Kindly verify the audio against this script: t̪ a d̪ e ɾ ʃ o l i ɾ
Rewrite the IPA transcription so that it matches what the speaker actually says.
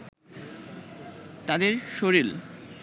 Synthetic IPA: t̪ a d̪ e ɾ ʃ o ɾ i l